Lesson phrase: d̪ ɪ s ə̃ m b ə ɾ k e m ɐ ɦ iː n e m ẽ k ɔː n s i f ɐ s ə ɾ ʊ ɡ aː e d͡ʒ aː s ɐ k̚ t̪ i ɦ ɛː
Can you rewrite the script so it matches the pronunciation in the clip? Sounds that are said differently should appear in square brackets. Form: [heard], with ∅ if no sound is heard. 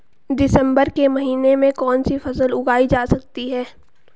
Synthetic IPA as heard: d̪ ɪ s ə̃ m b ə ɾ k e m ɐ ɦ iː n e m ẽ k ɔː n s i f ɐ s ə [l] ʊ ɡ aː [i] d͡ʒ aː s ɐ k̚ t̪ i ɦ ɛː